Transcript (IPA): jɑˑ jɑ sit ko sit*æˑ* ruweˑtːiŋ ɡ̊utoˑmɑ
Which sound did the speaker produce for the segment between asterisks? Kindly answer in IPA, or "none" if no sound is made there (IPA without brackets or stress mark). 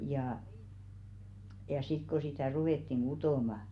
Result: æˑ